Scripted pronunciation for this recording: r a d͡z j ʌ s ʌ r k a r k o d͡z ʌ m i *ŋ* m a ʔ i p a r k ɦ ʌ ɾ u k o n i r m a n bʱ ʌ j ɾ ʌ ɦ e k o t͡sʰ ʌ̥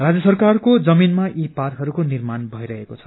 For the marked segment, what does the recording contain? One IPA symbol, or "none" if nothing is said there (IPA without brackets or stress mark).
n